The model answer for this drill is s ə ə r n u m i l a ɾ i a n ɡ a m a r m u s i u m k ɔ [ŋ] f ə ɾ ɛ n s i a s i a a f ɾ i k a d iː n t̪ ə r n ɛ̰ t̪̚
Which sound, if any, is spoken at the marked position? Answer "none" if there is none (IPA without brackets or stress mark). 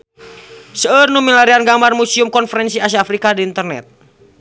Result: n